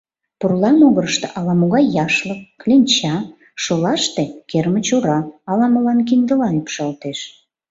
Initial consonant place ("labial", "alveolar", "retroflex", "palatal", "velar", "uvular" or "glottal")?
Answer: labial